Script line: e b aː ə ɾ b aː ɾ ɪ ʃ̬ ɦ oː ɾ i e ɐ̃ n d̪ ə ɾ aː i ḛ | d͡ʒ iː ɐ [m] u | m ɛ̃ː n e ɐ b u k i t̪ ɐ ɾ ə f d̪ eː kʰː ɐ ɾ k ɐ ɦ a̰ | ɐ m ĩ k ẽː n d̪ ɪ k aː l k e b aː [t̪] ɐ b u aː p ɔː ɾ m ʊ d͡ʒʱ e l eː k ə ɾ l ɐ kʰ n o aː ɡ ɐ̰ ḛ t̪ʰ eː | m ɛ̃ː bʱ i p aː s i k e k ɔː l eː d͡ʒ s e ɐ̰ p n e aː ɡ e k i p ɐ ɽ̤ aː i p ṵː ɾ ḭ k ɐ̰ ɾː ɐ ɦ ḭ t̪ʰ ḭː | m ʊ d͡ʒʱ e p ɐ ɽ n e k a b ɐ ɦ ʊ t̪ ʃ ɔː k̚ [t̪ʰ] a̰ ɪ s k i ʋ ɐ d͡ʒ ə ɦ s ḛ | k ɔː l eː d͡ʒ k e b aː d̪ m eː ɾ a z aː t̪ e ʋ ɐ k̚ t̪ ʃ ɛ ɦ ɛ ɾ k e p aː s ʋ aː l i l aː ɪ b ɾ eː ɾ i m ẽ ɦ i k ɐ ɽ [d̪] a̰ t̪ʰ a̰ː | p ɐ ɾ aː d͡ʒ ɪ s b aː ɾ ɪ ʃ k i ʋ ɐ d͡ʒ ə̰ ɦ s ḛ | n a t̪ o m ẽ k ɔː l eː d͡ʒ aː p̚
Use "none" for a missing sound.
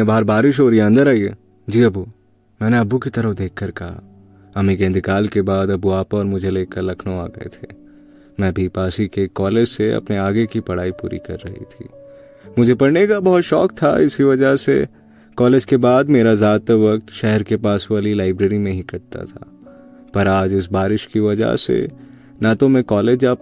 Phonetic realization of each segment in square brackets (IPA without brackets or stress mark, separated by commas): b, d̪, t̪ʰ, t̪